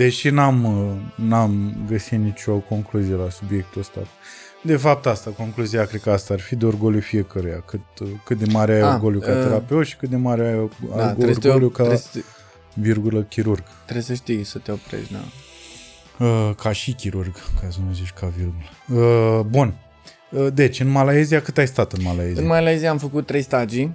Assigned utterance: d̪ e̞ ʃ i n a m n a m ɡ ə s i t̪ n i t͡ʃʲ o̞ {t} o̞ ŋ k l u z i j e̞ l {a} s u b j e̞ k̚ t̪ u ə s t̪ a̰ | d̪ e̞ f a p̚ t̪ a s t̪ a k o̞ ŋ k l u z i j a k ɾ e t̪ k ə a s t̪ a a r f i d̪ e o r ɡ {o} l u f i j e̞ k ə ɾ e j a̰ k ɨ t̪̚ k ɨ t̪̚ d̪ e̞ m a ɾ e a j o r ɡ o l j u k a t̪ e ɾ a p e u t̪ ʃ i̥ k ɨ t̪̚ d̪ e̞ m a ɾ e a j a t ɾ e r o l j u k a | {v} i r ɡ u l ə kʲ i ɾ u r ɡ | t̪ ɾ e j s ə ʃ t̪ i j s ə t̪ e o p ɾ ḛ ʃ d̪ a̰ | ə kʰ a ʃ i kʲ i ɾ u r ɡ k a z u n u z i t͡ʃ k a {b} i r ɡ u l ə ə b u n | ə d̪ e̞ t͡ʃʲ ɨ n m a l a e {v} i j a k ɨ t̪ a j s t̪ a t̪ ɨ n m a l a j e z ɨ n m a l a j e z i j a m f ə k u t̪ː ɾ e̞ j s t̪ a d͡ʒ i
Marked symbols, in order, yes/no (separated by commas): no, yes, yes, yes, no, no